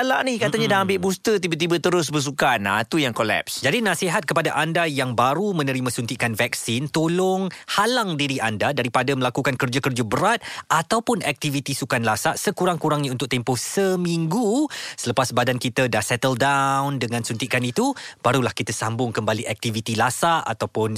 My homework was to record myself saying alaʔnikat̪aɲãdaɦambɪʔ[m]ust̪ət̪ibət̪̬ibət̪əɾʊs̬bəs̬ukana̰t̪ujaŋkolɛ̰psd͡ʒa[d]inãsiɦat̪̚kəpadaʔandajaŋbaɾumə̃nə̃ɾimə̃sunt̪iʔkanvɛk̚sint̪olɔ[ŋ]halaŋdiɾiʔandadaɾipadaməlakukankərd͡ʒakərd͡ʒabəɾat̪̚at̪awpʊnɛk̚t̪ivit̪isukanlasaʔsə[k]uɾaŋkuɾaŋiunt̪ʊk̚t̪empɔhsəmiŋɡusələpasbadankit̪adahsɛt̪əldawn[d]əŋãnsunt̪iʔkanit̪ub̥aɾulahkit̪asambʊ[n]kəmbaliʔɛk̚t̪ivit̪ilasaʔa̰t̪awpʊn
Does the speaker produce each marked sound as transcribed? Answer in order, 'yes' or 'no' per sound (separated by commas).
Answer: no, yes, yes, yes, yes, no